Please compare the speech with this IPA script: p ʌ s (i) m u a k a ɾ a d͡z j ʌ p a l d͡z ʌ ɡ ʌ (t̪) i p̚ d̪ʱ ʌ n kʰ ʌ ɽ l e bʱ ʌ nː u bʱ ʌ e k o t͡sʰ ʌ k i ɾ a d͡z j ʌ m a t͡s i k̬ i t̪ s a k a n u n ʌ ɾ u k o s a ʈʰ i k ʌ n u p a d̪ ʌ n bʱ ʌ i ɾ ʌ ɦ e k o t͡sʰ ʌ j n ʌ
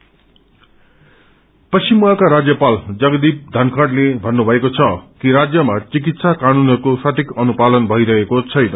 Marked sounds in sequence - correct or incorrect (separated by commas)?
correct, incorrect